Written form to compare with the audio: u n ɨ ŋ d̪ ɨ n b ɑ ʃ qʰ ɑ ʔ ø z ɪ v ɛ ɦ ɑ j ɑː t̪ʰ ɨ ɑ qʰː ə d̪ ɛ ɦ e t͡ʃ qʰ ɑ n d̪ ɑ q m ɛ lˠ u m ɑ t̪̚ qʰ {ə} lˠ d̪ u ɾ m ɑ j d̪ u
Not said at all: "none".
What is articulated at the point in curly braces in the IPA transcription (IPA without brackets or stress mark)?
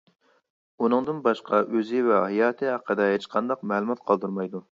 ɑ